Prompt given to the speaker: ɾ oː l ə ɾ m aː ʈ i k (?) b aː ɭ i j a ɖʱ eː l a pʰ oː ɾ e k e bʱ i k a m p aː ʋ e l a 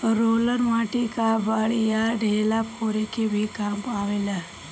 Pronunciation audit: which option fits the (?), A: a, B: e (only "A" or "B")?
A